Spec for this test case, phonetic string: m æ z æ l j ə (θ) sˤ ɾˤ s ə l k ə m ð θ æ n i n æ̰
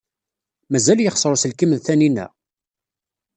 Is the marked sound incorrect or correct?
incorrect